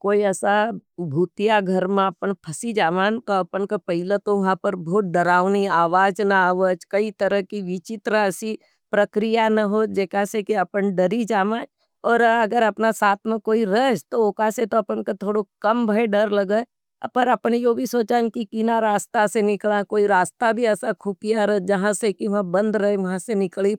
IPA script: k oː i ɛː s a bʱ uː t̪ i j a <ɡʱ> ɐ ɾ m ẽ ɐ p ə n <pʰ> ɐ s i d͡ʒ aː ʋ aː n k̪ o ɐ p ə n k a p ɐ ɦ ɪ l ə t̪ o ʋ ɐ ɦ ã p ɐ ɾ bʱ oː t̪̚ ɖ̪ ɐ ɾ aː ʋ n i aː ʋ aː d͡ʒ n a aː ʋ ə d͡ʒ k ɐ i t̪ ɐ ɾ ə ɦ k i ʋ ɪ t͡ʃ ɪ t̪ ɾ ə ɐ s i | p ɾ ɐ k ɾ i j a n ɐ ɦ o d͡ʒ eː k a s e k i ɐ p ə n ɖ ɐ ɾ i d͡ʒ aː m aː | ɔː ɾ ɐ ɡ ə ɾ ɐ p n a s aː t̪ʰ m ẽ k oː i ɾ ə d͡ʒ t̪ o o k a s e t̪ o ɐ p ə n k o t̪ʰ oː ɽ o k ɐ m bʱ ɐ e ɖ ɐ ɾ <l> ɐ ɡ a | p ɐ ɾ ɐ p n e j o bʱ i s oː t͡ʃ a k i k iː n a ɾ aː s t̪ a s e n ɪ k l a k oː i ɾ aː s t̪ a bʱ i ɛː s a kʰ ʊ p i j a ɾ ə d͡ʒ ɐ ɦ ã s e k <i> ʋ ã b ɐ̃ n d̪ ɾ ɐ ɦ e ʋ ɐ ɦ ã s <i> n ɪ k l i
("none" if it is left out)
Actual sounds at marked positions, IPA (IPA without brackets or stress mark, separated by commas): ɡʱ, pʰ, l, i, e